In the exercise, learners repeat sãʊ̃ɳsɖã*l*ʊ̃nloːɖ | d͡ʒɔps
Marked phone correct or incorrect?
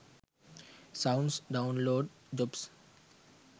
incorrect